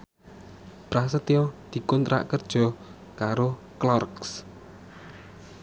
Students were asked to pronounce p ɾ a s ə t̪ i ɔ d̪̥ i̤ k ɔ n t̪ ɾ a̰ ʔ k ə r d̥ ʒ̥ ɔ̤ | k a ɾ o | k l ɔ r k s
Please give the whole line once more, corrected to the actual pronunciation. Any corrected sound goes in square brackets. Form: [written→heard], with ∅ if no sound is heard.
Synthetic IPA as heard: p ɾ a s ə t̪ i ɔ d̪̥ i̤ k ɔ n t̪ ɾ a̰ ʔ k ə r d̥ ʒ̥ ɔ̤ | k a ɾ o | k l ɔ r k s